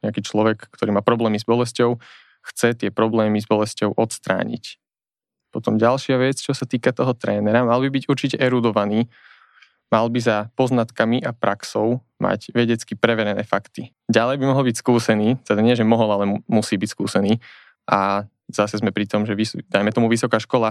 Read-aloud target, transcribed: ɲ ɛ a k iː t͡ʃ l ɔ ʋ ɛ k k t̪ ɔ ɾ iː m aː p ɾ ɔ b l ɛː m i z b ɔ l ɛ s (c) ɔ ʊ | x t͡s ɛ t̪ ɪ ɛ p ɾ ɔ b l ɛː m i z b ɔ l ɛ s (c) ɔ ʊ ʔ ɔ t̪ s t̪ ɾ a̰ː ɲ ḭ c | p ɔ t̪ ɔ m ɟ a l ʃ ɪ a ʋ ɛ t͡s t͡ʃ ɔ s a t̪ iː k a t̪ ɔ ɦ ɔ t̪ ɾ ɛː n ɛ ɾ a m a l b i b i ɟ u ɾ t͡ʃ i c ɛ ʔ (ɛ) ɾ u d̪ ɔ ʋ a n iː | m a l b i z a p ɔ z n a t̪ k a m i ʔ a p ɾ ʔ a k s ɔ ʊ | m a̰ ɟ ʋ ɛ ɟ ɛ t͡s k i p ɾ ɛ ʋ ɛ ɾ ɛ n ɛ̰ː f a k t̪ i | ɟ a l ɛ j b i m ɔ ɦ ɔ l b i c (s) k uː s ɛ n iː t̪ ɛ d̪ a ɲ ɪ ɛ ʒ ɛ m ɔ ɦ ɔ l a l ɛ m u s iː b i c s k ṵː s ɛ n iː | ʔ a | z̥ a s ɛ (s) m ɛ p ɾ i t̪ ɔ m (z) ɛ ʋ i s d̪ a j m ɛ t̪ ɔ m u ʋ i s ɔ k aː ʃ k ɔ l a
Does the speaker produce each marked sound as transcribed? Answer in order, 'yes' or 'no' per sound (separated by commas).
yes, yes, yes, yes, no, no